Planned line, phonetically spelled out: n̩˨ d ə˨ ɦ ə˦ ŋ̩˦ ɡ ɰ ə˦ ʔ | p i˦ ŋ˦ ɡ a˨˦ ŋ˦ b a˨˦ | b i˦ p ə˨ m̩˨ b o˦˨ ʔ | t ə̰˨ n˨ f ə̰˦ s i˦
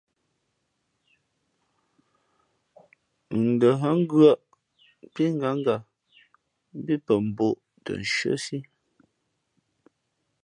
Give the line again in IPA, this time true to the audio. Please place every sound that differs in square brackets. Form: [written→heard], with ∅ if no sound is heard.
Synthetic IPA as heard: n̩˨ d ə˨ ɦ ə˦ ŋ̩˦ ɡ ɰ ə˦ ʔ | p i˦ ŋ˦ ɡ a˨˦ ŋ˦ [b→ɡ] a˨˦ | b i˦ p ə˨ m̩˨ b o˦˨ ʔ | t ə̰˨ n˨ [f→ʃ] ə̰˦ s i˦